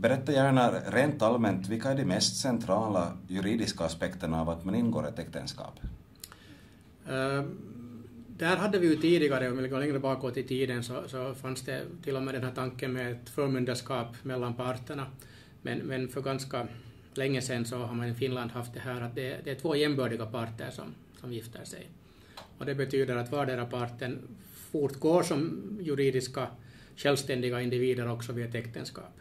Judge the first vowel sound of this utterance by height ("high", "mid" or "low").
mid